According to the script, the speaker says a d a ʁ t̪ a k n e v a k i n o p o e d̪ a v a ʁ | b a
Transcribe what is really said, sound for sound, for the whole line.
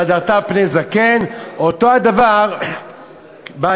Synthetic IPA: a d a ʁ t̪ a p n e z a k e n o t o a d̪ a v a ʁ | b a